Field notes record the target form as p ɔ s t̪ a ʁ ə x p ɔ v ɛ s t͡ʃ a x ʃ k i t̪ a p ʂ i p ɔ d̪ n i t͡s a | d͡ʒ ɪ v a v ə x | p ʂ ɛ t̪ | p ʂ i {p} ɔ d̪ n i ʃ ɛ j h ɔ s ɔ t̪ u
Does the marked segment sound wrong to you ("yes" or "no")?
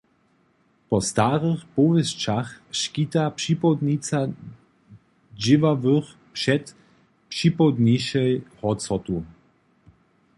no